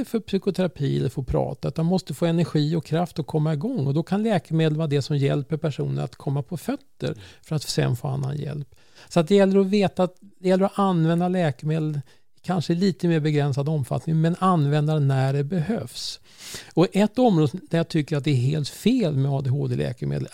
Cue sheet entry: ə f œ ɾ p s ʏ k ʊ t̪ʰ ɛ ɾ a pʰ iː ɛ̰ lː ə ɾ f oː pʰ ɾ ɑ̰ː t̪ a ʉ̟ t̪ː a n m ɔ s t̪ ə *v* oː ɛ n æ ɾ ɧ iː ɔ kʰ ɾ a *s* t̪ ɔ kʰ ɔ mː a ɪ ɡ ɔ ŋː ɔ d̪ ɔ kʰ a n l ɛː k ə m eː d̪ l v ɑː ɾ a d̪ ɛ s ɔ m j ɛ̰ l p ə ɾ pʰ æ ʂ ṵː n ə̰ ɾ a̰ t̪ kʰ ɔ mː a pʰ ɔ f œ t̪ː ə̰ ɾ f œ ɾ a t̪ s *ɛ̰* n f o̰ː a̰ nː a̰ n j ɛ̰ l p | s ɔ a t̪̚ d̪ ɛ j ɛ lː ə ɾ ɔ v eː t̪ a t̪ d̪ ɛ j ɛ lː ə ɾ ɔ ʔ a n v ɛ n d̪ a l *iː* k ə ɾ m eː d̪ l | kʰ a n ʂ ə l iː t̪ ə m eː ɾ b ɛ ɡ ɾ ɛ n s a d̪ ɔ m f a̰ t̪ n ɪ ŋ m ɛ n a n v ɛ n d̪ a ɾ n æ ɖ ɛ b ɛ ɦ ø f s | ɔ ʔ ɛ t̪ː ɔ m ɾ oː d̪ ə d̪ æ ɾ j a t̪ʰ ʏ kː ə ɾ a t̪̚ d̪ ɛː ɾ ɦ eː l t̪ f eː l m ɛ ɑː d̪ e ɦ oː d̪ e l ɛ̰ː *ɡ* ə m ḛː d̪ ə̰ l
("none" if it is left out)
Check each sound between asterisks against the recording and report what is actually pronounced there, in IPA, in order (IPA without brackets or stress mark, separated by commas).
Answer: f, f, ɛ̰, ɛː, k